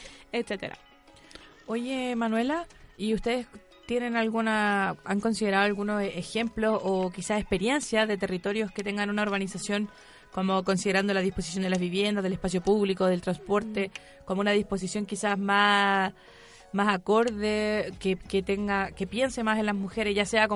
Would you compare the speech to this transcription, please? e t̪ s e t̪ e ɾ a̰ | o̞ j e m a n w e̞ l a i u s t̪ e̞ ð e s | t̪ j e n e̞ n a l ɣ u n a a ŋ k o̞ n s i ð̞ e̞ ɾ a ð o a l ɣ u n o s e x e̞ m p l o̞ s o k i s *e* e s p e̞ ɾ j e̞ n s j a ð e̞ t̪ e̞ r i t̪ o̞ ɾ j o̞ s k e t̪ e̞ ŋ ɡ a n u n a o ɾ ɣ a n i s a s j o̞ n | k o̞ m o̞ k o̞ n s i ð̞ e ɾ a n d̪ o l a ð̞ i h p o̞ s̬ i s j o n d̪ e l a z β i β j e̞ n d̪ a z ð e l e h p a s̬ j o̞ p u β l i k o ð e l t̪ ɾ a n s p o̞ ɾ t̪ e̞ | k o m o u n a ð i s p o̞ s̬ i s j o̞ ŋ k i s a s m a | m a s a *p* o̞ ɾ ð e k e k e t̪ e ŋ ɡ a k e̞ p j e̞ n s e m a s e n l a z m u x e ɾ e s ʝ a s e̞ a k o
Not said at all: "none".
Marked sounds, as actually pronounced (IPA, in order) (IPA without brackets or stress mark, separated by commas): a, k